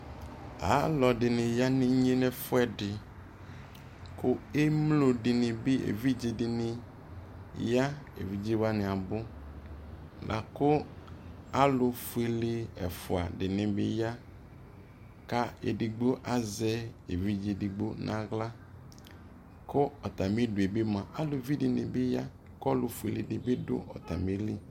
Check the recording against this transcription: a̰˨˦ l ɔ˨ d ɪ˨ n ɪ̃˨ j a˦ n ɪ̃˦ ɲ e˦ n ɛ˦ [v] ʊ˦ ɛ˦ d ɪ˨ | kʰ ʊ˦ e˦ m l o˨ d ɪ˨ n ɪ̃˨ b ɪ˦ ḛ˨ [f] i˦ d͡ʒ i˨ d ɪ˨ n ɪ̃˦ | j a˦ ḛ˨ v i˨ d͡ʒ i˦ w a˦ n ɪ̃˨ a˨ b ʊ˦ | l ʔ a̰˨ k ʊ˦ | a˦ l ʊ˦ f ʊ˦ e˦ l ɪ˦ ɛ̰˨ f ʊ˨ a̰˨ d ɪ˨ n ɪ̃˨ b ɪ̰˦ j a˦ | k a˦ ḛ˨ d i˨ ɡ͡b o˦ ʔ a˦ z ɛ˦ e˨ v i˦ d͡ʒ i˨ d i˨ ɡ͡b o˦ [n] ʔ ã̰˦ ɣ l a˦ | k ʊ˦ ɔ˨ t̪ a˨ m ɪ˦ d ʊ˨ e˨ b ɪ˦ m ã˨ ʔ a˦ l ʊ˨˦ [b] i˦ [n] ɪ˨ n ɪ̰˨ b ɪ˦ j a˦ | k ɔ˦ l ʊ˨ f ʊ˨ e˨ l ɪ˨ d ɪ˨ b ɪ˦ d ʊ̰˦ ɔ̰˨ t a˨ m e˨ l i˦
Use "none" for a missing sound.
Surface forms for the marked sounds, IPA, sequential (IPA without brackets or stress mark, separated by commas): f, v, n, v, d